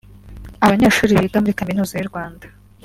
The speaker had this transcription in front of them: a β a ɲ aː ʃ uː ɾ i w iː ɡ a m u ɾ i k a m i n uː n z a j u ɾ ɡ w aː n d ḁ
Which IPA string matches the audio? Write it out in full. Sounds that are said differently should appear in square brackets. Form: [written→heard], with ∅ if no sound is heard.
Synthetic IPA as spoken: a β a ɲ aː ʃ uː ɾ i [w→β] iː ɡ a m u ɾ i k a m i n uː [n→∅] z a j u ɾ ɡ w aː n d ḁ